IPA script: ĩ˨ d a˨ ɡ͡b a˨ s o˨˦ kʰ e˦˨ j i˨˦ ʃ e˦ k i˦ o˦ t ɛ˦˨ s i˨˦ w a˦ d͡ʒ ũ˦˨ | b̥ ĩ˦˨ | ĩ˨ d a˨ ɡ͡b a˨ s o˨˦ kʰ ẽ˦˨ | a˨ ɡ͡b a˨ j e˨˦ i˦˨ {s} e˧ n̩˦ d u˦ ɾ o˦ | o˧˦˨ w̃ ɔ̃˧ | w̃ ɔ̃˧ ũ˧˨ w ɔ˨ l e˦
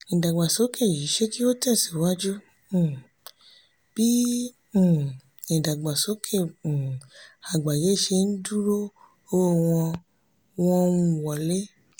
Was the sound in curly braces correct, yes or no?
no